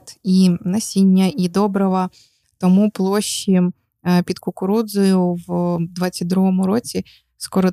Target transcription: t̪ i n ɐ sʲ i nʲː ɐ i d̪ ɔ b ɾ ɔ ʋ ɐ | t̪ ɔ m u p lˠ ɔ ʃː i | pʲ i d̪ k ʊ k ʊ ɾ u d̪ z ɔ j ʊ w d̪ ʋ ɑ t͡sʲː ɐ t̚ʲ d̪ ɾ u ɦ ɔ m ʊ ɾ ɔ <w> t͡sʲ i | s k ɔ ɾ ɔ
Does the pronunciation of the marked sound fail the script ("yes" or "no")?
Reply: yes